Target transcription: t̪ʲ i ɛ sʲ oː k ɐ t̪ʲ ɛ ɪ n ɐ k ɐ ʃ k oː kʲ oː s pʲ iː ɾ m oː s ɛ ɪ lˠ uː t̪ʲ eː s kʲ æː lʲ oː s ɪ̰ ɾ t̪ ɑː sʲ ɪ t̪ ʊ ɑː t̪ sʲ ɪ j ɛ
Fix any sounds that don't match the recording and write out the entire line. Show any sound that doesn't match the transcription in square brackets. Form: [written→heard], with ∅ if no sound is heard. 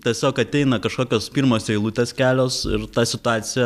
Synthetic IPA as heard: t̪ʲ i ɛ sʲ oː k ɐ t̪ʲ ɛ ɪ n ɐ k ɐ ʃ k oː kʲ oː s pʲ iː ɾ m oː s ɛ ɪ lˠ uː t̪ʲ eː s kʲ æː lʲ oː s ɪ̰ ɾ t̪ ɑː sʲ ɪ t̪ ʊ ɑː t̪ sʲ ɪ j ɛ